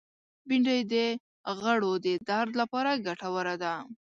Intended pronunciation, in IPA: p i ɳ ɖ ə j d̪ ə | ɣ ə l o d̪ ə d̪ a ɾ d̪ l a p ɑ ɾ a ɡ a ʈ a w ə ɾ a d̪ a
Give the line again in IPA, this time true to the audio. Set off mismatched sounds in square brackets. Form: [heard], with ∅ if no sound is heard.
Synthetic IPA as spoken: [b] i ɳ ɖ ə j d̪ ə | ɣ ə [ɽ] o d̪ ə d̪ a ɾ d̪ l a p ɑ ɾ a ɡ a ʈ a w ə ɾ a d̪ a